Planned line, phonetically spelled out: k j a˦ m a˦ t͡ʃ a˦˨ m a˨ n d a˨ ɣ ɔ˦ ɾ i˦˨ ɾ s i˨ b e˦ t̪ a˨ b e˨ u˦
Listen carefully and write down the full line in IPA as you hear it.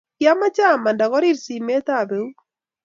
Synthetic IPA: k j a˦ m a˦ t͡ʃ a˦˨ m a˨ n d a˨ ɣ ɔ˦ ɾ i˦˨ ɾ s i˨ m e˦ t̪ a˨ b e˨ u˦